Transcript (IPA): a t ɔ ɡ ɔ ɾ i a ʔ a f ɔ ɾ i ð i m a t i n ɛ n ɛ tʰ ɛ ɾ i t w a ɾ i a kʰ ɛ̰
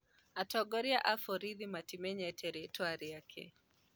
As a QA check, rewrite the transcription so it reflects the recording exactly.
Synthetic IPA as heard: a t ɔ ɡ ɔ ɾ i a ʔ a f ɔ ɾ i ð i m a t i m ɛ ɲ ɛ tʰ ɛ ɾ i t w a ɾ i a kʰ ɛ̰